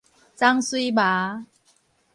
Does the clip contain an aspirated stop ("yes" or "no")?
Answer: no